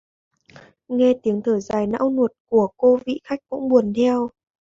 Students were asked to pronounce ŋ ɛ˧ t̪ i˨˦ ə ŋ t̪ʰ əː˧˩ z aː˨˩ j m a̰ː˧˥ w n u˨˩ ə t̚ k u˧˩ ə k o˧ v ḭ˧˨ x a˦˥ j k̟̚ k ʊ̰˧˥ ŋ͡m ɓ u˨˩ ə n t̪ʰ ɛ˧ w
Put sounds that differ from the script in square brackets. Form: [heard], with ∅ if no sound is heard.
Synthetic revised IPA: ŋ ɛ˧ t̪ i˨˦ ə ŋ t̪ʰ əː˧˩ z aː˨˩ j [n] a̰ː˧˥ w n u˨˩ ə t̚ k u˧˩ ə k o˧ v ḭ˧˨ x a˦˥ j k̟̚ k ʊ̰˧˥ ŋ͡m ɓ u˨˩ ə n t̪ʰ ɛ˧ w